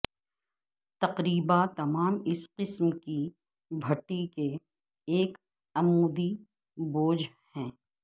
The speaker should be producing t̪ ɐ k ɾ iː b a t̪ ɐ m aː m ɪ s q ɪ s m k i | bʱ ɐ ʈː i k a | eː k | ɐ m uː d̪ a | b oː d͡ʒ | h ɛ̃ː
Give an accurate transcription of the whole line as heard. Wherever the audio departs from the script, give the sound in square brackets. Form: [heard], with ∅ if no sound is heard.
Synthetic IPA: t̪ ɐ [q] ɾ iː b a t̪ ɐ m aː m ɪ s q ɪ s m k i | bʱ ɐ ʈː i k [e] | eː k | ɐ m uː d̪ [i] | b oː d͡ʒ | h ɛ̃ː

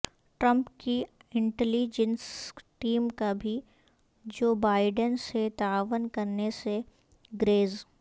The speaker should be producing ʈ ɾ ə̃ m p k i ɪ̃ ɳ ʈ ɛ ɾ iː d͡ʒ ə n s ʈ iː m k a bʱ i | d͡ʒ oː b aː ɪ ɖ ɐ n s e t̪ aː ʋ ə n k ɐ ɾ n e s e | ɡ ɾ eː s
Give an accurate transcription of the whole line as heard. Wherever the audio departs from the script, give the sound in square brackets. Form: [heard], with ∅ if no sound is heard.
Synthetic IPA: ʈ ɾ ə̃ m p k i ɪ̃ ɳ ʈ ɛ [l] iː d͡ʒ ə n s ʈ iː m k a bʱ i | d͡ʒ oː b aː ɪ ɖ [ə] n s e t̪ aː ʋ ə n k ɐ ɾ n e s e | ɡ ɾ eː [z]

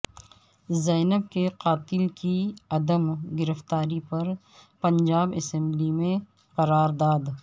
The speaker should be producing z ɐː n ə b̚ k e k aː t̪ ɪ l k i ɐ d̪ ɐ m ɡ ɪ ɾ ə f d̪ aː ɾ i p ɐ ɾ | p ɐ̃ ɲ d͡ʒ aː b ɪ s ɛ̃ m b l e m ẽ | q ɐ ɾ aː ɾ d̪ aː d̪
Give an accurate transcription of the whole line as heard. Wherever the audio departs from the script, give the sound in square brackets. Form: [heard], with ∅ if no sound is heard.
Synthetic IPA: z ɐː n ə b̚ k e [q] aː t̪ ɪ l k i ɐ d̪ [ə] m ɡ ɪ ɾ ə f [t̪] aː ɾ i p ɐ ɾ | p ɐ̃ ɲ d͡ʒ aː b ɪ s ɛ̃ m b l [i] m ẽ | q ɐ ɾ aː ɾ d̪ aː d̪

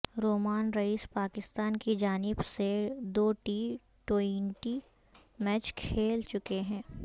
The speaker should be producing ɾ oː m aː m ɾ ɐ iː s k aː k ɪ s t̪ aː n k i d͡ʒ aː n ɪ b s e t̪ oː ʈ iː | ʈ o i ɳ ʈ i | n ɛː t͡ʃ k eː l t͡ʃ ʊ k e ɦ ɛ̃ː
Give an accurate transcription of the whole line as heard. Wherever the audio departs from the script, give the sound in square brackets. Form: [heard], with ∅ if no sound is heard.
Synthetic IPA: ɾ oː m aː [n] ɾ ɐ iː s [p] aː k ɪ s t̪ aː n k i d͡ʒ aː n ɪ b s e [d̪] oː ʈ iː | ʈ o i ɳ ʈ i | [m] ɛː t͡ʃ [kʰ] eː l t͡ʃ ʊ k e ɦ ɛ̃ː

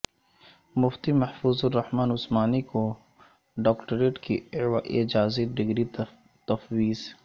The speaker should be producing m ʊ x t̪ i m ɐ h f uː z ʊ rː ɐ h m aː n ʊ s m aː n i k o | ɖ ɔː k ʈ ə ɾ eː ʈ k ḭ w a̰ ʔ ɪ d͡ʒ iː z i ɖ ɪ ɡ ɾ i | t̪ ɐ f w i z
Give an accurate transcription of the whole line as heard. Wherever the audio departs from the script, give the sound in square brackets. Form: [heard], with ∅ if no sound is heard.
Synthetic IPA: m ʊ [f] t̪ i m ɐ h f uː z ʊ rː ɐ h m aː n ʊ s m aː n i k o | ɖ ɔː k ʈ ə ɾ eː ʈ k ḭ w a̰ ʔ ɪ d͡ʒ [aː] z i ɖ ɪ ɡ ɾ i | t̪ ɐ f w [iː] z

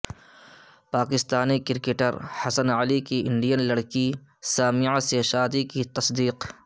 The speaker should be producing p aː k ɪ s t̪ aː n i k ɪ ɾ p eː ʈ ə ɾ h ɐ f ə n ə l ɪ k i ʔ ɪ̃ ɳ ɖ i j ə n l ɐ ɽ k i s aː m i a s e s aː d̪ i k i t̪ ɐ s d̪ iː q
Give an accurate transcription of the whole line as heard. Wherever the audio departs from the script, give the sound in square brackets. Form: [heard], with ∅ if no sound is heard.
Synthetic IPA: p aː k ɪ s t̪ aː n i k ɪ ɾ [k] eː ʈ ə ɾ h ɐ [s] ə n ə l [i] k i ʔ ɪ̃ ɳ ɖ i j ə n l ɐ ɽ k i s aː m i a s e [ʃ] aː d̪ i k i t̪ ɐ s d̪ iː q

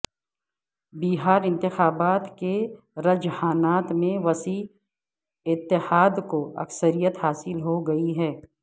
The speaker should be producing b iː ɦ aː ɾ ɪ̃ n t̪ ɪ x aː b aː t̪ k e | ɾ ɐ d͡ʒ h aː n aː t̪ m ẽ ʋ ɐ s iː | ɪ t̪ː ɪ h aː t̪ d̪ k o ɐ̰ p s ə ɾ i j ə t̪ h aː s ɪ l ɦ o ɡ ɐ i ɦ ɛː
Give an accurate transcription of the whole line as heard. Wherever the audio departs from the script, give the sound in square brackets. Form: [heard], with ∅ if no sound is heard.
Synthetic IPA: b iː ɦ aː ɾ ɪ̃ n t̪ ɪ x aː b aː t̪ k e | ɾ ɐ d͡ʒ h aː n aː t̪ m ẽ ʋ ɐ s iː | ɪ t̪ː ɪ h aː [∅] d̪ k o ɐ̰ [k] s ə ɾ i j ə t̪ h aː s ɪ l ɦ o ɡ ɐ i ɦ ɛː

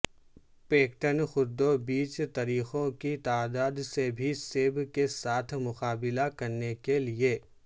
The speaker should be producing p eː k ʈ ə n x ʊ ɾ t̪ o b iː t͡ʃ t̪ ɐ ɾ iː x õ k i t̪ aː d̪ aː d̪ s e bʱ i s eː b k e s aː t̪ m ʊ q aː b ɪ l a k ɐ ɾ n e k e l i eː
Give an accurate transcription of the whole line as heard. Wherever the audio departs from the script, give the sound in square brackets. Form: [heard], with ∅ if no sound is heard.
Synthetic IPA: p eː k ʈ ə n x ʊ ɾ [d̪] o b iː t͡ʃ t̪ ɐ ɾ iː x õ k i t̪ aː d̪ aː d̪ s e bʱ i s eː b k e s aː [t̪ʰ] m ʊ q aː b ɪ l a k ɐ ɾ n e k e l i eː

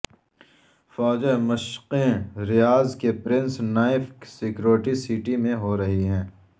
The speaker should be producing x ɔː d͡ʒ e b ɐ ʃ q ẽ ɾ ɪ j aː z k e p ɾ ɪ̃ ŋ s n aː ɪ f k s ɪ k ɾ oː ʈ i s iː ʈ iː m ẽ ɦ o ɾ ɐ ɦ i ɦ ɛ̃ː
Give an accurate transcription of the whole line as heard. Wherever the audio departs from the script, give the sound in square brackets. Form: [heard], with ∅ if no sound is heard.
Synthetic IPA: [f] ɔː d͡ʒ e [m] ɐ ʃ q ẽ ɾ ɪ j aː z k e p ɾ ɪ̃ [n] s n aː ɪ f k s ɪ k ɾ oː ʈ i s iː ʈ [i] m ẽ ɦ o ɾ ɐ ɦ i ɦ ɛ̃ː

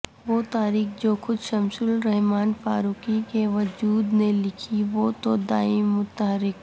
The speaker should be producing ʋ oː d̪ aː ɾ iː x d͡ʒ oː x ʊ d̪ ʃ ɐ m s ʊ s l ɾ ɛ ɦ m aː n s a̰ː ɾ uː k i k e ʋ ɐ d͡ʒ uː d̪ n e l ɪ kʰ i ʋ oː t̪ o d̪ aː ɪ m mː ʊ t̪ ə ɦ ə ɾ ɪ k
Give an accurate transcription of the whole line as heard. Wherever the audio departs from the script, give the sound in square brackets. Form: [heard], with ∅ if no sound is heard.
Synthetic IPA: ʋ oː [t̪] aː ɾ iː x d͡ʒ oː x ʊ d̪ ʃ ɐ m s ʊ [∅] l ɾ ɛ ɦ m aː n [f] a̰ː ɾ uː k i k e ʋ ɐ d͡ʒ uː d̪ n e l ɪ kʰ i ʋ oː t̪ o d̪ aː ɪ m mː ʊ t̪ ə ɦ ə ɾ ɪ k

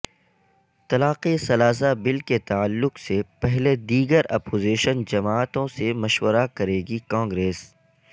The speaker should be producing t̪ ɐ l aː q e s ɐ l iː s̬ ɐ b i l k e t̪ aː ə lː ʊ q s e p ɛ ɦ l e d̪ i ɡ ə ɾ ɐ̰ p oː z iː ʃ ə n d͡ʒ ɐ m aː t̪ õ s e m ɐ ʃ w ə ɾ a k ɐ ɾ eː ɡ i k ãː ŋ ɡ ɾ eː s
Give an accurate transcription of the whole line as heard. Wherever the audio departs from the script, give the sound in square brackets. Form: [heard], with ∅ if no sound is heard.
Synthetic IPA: t̪ ɐ l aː q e s ɐ l [aː] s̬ [a] b [ɪ] l k e t̪ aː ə lː ʊ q s e p ɛ ɦ l e d̪ [iː] ɡ ə ɾ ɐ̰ p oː z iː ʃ ə n d͡ʒ ɐ m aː t̪ õ s e m ɐ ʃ w ə ɾ a k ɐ ɾ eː ɡ i k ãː ŋ ɡ ɾ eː s

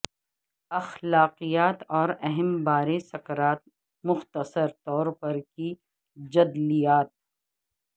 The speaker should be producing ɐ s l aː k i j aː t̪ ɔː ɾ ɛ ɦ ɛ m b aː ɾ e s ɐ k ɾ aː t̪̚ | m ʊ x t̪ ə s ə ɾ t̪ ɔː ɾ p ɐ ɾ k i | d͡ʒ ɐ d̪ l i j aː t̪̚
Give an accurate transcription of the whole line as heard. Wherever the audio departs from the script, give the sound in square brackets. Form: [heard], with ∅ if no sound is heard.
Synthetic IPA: ɐ [x] l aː [q] i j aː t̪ ɔː ɾ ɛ ɦ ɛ m b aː ɾ e s ɐ k ɾ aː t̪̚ | m ʊ x t̪ ə s ə ɾ t̪ ɔː ɾ p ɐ ɾ k i | d͡ʒ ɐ d̪ l i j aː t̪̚

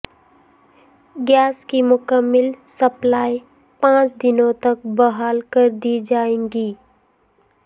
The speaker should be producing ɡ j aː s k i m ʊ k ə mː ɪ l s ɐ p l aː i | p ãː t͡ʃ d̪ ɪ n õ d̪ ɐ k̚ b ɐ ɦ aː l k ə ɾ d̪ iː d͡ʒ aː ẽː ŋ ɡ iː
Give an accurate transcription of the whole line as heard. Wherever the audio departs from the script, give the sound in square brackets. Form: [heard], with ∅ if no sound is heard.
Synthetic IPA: ɡ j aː s k i m ʊ k ə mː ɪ l s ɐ p l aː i | p ãː t͡ʃ d̪ ɪ n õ [t̪] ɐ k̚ b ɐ ɦ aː l k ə ɾ d̪ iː d͡ʒ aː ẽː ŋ ɡ iː

